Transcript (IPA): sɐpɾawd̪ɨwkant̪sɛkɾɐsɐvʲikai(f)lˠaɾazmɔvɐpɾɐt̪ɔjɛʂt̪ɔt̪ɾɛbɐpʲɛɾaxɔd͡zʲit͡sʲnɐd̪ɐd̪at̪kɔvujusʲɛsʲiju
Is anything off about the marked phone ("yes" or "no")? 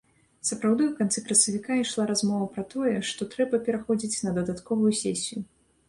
yes